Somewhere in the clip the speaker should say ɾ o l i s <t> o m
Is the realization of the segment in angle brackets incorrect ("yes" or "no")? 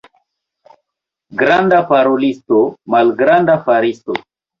no